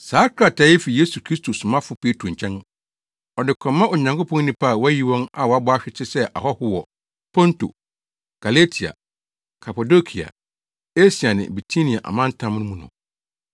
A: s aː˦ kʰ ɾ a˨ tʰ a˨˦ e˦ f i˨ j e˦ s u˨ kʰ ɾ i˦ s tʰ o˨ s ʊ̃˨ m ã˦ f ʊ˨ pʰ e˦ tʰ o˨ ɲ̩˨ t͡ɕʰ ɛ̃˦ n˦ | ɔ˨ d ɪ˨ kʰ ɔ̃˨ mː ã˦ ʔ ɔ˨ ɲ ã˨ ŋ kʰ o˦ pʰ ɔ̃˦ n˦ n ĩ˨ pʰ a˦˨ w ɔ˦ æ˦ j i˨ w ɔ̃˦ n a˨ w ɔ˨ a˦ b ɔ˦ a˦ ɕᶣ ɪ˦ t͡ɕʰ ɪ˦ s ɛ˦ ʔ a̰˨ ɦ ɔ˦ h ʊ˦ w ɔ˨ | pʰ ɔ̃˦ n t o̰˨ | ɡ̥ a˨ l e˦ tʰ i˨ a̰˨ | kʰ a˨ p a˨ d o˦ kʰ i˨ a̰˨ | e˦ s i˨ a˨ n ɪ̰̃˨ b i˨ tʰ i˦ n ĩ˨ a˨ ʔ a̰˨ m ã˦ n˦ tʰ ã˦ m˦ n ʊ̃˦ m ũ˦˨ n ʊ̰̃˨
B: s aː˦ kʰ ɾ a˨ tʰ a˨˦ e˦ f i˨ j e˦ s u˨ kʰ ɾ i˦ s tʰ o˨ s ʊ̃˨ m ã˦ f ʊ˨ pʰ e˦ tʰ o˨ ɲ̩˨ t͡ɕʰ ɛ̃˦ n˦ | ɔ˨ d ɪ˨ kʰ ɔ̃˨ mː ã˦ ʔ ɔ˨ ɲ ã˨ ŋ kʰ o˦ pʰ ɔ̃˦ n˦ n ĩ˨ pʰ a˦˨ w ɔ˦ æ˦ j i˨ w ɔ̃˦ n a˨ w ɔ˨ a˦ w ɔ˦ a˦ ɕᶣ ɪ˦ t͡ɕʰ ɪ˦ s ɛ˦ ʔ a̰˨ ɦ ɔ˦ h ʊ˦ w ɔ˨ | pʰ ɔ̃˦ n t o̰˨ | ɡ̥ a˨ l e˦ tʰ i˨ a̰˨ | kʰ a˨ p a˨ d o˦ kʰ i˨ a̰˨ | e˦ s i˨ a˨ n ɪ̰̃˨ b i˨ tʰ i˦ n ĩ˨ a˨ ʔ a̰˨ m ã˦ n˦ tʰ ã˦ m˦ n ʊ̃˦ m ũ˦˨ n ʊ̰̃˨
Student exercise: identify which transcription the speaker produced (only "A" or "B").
A